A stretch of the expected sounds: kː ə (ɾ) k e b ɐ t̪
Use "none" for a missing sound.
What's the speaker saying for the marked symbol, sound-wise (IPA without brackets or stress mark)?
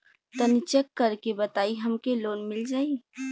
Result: ɾ